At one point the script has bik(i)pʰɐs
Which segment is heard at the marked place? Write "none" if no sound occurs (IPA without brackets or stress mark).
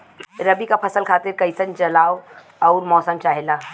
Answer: a